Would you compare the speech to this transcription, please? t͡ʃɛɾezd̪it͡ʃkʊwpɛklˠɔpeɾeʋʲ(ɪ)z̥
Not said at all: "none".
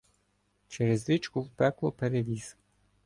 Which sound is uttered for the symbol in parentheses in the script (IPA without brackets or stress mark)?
i